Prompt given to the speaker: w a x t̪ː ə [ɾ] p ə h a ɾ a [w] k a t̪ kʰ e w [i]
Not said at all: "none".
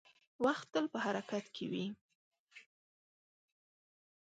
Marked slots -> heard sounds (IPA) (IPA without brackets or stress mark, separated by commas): l, none, i